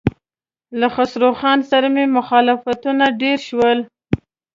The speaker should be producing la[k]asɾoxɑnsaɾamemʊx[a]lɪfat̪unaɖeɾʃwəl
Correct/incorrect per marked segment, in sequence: incorrect: x, incorrect: ɑ

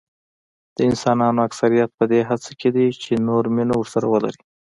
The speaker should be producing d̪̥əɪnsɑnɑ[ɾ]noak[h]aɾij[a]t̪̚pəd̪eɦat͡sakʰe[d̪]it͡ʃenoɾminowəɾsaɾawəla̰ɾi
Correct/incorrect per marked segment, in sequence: incorrect: none, incorrect: s, correct, correct

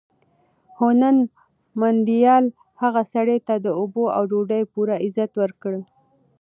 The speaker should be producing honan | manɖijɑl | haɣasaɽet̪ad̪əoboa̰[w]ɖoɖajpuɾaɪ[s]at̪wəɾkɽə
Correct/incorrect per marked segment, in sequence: correct, incorrect: z

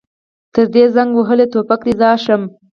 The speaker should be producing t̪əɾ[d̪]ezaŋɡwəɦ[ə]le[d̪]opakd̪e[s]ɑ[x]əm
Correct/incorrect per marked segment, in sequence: correct, correct, incorrect: t̪, incorrect: z, incorrect: ʃ

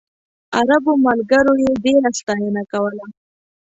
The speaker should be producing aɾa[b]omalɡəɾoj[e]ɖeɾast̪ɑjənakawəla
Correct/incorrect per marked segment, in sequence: correct, correct

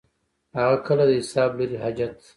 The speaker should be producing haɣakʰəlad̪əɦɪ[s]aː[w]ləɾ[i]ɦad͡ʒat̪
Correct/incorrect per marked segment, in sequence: correct, incorrect: b, correct

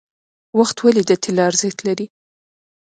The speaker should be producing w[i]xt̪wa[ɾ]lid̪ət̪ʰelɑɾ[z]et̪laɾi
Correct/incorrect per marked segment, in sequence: incorrect: a, incorrect: none, correct

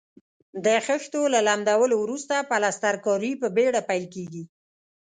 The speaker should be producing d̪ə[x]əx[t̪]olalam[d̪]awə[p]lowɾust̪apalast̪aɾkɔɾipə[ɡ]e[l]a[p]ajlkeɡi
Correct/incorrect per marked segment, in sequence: correct, correct, correct, incorrect: none, incorrect: b, incorrect: ɽ, correct

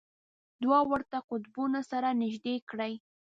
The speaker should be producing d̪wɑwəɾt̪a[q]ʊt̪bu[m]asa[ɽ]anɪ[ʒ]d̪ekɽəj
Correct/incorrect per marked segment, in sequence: correct, incorrect: n, incorrect: ɾ, correct

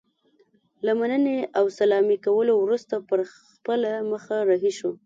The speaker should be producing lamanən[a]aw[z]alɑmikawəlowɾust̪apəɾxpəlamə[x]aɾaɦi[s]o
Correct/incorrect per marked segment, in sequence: incorrect: e, incorrect: s, correct, incorrect: ʃ

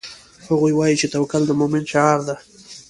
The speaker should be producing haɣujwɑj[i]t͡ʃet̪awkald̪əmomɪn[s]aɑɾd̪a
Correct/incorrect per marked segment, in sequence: correct, incorrect: ʃ

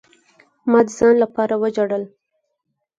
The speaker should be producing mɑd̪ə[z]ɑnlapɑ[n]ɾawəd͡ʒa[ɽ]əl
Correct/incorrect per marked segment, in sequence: correct, incorrect: none, correct

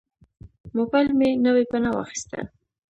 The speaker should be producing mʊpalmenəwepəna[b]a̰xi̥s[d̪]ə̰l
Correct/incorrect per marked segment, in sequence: incorrect: w, incorrect: t̪

